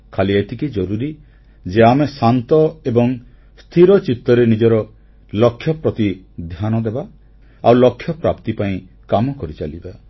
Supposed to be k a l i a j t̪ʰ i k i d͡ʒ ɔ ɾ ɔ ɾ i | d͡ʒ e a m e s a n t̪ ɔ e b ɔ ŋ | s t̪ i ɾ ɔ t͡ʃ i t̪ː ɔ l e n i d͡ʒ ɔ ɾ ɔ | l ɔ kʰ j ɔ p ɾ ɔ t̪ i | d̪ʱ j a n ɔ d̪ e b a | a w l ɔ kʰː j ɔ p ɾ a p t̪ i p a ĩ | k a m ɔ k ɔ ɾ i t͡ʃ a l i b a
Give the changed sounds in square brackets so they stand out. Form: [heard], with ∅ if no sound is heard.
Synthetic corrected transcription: [kʰ] a l i a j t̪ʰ i k i d͡ʒ ɔ ɾ [u] ɾ i | d͡ʒ e a m e s a n t̪ ɔ e b ɔ ŋ | s [t̪ʰ] i ɾ ɔ t͡ʃ i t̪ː ɔ [ɾ] e n i d͡ʒ ɔ ɾ ɔ | l ɔ kʰ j ɔ p ɾ ɔ t̪ i | d̪ʱ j a n ɔ d̪ e b a | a w l ɔ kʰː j ɔ p ɾ a p t̪ i p a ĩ | k a m ɔ k ɔ ɾ i t͡ʃ a l i b a

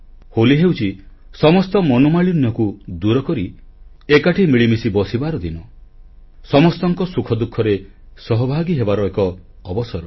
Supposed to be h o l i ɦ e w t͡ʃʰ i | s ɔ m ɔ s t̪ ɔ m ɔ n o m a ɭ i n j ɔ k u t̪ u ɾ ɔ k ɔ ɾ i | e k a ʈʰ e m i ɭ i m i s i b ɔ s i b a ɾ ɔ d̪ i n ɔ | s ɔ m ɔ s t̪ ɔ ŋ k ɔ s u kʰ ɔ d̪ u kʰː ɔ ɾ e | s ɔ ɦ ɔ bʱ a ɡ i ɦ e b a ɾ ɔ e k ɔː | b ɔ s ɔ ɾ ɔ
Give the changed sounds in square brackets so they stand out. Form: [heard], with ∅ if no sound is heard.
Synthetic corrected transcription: h o l i ɦ e w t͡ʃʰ i | s ɔ m ɔ s t̪ ɔ m ɔ n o m a ɭ i n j ɔ k u [d̪] u ɾ ɔ k ɔ ɾ i | e k a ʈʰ [i] m i ɭ i m i s i b ɔ s i b a ɾ ɔ d̪ i n ɔ | s ɔ m ɔ s t̪ ɔ ŋ k ɔ s u kʰ ɔ d̪ u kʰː ɔ ɾ e | s ɔ ɦ ɔ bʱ a ɡ i ɦ e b a ɾ ɔ e k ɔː | b ɔ s ɔ ɾ ɔ

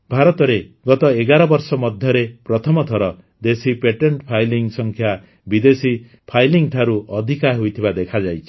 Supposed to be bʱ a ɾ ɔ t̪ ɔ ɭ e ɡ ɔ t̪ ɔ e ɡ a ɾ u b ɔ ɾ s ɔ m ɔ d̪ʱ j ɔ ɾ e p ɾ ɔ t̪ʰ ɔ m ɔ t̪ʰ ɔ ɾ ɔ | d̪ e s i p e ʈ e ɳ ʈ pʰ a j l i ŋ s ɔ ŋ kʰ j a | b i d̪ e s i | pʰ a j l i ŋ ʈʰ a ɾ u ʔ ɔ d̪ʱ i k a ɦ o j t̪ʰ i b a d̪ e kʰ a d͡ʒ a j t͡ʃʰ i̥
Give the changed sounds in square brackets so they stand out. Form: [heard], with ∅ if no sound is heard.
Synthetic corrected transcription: bʱ a ɾ ɔ t̪ ɔ [ɾ] e ɡ ɔ t̪ ɔ e ɡ a ɾ [ɔ] b ɔ ɾ s ɔ m ɔ d̪ʱ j ɔ ɾ e p ɾ ɔ t̪ʰ ɔ m ɔ t̪ʰ ɔ ɾ ɔ | d̪ e s i p e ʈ e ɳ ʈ pʰ a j l i ŋ s ɔ ŋ kʰ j a | b i d̪ e s i | pʰ a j l i ŋ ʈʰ a ɾ u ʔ ɔ d̪ʱ i k a ɦ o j t̪ʰ i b a d̪ e kʰ a d͡ʒ a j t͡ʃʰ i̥

